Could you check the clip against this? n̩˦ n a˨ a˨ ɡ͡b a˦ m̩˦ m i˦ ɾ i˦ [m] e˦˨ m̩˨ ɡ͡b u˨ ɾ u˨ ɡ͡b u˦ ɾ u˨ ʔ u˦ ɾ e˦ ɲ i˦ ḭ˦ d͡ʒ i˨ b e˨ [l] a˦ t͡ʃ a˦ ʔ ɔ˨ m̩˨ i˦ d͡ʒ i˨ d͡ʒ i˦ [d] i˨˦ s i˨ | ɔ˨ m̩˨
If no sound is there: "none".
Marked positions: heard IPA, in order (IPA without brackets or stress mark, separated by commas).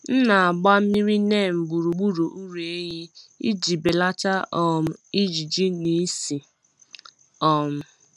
n, l, n